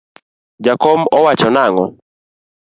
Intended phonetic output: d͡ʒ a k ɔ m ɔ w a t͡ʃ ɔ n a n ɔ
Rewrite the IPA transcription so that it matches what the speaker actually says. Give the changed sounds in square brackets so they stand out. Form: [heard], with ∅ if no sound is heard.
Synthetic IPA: d͡ʒ a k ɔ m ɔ w a t͡ʃ ɔ n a [ŋ] ɔ